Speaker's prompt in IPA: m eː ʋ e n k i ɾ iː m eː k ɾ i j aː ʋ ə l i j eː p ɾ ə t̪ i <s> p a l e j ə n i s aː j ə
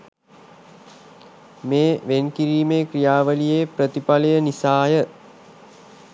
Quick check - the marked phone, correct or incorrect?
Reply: incorrect